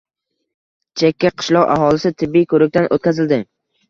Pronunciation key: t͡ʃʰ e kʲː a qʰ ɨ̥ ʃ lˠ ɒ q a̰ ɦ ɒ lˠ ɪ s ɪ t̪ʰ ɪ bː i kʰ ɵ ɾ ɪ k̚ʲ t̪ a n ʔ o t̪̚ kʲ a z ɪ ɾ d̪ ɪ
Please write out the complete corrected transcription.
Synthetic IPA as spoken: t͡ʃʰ e kʲː a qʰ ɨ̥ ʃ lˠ ɒ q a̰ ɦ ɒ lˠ ɪ s ɪ t̪ʰ ɪ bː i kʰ ɵ ɾ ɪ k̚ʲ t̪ a n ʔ o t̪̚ kʲ a z ɪ l d̪ ɪ